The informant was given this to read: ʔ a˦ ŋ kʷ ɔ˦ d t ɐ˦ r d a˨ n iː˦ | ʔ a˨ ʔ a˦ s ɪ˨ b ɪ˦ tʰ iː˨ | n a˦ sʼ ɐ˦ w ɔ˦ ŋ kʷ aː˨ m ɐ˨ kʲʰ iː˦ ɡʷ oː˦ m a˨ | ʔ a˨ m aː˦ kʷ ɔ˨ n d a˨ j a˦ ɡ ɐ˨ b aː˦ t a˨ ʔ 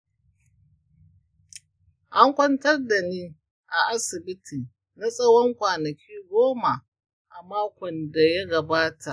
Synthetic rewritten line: ʔ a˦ ŋ kʷ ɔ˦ n t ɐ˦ r d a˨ n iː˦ | ʔ a˨ ʔ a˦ s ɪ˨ b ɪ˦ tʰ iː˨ | n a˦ sʼ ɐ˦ w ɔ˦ ŋ kʷ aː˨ n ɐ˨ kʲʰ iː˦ ɡʷ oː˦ m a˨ | ʔ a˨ m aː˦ kʷ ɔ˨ n d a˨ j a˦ ɡ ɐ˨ b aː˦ t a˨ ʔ